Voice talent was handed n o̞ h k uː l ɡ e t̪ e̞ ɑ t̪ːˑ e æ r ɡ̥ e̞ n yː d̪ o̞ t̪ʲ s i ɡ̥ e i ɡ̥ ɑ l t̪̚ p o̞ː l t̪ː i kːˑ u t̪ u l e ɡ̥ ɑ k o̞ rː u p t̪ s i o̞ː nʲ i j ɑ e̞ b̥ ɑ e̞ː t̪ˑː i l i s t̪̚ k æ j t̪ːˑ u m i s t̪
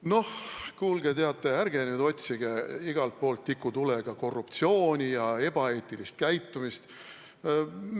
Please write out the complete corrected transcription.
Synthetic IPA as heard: n o̞ h k uː l ɡ e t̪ e̞ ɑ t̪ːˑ e æ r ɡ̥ e̞ n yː d̪ o̞ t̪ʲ s i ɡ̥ e i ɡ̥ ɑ l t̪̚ p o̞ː l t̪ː i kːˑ u t̪ u l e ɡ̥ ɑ k o̞ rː u p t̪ s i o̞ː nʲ i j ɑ e̞ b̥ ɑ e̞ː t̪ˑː i l i s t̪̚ k æ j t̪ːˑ u m i s t̪